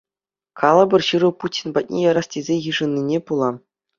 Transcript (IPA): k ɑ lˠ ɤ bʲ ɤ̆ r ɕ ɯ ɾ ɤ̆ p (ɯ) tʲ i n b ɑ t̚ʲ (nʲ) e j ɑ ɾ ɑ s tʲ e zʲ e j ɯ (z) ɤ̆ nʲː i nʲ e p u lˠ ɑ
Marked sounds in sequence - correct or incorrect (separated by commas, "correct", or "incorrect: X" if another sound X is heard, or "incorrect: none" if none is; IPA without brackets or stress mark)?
incorrect: u, correct, incorrect: ʐ